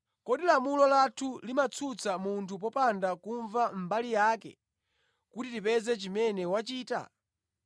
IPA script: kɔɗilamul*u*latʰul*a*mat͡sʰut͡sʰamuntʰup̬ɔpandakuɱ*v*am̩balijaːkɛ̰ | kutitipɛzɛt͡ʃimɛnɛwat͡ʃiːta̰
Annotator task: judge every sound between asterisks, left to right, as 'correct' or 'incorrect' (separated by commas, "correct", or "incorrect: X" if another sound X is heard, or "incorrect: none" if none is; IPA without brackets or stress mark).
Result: incorrect: ɔ, incorrect: i, correct